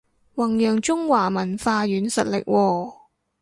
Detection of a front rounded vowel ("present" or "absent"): present